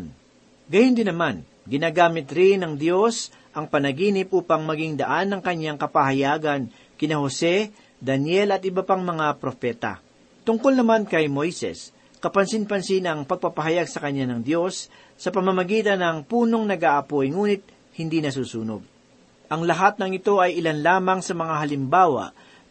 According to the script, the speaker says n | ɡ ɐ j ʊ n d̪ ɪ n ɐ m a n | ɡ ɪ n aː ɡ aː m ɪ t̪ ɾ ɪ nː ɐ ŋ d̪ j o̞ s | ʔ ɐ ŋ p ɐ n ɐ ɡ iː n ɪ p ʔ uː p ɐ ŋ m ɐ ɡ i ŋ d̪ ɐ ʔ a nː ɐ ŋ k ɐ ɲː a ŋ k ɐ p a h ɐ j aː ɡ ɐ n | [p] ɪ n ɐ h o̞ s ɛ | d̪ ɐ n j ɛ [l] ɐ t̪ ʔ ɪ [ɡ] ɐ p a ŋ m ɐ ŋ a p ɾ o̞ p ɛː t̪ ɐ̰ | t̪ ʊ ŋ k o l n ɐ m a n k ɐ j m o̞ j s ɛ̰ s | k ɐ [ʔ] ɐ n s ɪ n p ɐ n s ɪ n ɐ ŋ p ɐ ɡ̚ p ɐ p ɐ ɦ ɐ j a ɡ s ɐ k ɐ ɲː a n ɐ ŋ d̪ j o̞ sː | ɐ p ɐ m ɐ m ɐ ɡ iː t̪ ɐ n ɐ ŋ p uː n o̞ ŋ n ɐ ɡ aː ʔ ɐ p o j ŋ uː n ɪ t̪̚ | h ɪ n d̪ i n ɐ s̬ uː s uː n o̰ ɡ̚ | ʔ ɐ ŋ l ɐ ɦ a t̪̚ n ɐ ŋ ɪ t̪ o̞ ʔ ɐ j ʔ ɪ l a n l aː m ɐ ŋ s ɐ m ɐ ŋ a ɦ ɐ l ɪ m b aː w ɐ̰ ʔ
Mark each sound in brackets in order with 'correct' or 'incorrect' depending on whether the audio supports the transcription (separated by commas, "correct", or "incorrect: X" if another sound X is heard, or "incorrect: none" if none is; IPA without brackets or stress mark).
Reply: incorrect: k, correct, incorrect: b, incorrect: p